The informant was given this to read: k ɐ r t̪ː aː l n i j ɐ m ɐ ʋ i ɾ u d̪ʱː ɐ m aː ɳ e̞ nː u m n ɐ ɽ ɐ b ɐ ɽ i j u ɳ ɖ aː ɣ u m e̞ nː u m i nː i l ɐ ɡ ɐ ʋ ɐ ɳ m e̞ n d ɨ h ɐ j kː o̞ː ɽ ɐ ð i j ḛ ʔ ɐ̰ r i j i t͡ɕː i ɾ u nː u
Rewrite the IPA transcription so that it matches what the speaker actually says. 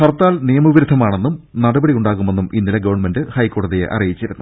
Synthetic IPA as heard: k ɐ r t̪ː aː l n i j ɐ m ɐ ʋ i ɾ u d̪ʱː ɐ m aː ɳ e̞ nː u m n ɐ ɽ ɐ b ɐ ɽ i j u ɳ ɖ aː ɣ u m e̞ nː u m i nː i l ɐ ɡ ɐ ʋ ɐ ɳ m e̞ n d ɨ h ɐ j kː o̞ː ɽ ɐ ð i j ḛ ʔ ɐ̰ r i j i t͡ɕː i ɾ u nː u

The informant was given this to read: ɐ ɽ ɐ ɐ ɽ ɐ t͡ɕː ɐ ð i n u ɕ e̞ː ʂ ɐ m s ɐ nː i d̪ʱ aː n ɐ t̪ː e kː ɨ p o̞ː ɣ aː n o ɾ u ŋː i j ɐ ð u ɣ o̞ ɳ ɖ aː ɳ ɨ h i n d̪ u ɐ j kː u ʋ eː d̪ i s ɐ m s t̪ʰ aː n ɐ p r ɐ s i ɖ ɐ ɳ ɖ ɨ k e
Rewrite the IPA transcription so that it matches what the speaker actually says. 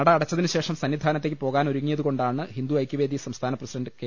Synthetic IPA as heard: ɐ ɽ ɐ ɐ ɽ ɐ t͡ɕː ɐ ð i n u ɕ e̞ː ʂ ɐ m s ɐ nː i d̪ʱ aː n ɐ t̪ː e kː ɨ p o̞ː ɣ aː n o ɾ u ŋː i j ɐ ð u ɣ o̞ ɳ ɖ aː ɳ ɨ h i n d̪ u ɐ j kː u ʋ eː d̪ i s ɐ m s t̪ʰ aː n ɐ p r ɐ s i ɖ ɐ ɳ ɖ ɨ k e

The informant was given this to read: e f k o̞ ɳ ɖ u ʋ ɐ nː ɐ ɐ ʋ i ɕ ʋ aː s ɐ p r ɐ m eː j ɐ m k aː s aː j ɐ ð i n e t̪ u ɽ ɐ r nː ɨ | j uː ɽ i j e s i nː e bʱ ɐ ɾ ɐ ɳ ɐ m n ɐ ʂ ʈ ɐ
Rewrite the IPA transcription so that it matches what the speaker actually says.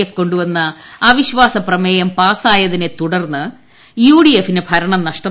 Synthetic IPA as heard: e f k o̞ ɳ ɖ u ʋ ɐ nː ɐ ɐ ʋ i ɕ ʋ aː s ɐ p r ɐ m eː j ɐ m p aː s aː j ɐ ð i n e t̪ u ɽ ɐ r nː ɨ | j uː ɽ i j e f i n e bʱ ɐ ɾ ɐ ɳ ɐ m n ɐ ʂ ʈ ɐ

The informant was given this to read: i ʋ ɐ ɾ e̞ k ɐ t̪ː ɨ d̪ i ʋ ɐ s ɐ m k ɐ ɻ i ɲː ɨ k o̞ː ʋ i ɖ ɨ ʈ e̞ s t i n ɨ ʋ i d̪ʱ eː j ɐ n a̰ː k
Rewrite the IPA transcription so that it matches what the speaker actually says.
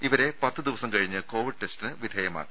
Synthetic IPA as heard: i ʋ ɐ ɾ e̞ p ɐ t̪ː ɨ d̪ i ʋ ɐ s ɐ m k ɐ ɻ i ɲː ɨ k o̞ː ʋ i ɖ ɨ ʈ e̞ s t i n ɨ ʋ i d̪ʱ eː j ɐ m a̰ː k

